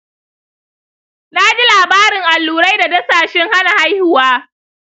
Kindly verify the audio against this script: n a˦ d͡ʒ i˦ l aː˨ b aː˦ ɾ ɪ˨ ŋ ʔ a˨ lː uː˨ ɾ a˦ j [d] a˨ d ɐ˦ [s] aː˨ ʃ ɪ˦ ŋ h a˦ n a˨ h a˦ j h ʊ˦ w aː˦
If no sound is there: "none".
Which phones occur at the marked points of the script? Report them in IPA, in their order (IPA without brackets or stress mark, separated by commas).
d, s